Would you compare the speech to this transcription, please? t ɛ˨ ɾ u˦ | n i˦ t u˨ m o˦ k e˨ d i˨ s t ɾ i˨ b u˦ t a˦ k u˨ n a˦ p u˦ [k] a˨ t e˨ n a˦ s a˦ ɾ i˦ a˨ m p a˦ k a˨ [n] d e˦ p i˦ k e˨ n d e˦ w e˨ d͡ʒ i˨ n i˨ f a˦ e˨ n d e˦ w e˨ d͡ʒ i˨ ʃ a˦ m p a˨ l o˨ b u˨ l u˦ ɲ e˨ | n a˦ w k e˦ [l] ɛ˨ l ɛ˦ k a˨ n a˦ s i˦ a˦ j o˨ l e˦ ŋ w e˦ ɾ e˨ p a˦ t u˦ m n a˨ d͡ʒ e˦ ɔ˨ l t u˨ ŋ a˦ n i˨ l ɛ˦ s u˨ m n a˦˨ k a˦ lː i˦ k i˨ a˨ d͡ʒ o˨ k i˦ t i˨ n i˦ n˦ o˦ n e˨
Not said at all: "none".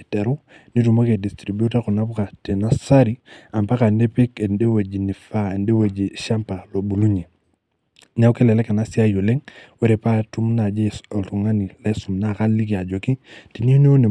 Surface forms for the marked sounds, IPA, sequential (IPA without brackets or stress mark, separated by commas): k, n, l